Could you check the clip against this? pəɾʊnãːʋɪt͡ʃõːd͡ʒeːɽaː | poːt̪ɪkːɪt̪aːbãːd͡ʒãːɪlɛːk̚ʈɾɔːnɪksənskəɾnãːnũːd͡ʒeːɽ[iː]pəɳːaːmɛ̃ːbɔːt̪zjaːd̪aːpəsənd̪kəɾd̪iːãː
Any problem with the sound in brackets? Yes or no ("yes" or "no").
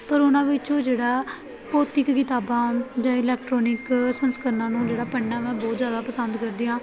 yes